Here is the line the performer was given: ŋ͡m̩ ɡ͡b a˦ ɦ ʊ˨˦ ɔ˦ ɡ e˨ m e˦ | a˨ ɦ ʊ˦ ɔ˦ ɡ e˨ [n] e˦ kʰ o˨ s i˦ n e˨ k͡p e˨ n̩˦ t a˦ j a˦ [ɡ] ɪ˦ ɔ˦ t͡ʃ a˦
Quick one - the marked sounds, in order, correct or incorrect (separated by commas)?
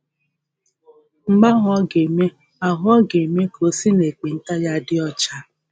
incorrect, incorrect